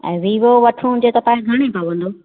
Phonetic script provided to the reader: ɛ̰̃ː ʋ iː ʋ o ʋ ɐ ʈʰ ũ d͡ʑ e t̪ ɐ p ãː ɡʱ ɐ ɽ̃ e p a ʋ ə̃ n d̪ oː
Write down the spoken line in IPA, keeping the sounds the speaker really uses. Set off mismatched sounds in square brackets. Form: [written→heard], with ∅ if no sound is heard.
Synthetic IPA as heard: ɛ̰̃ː ʋ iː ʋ o ʋ ɐ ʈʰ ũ d͡ʑ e t̪ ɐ p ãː ɡʱ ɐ ɽ̃ e p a ʋ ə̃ n d̪ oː